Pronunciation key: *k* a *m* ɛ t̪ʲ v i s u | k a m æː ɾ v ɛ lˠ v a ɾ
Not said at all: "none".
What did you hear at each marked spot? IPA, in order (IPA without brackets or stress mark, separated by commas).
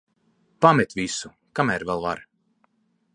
p, m